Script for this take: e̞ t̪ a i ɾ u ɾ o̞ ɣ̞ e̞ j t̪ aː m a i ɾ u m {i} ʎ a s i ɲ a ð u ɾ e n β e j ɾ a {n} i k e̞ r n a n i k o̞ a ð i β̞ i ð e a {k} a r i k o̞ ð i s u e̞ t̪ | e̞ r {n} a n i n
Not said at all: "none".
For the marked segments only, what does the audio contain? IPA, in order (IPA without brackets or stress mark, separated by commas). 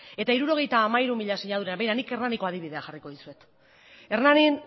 i, n, x, n